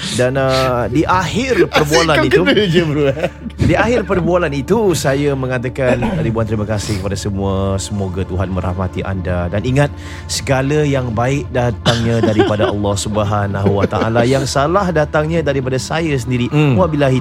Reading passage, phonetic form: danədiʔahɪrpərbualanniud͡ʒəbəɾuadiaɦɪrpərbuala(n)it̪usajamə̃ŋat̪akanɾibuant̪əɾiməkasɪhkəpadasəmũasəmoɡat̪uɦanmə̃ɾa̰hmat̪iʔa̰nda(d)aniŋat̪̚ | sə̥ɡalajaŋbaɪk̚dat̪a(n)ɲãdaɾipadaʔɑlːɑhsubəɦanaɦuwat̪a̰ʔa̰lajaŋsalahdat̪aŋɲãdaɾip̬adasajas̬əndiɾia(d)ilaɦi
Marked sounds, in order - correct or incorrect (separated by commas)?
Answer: correct, correct, incorrect, incorrect